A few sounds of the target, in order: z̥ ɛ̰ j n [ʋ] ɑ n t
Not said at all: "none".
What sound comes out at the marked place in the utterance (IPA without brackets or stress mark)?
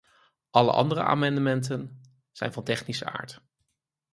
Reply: v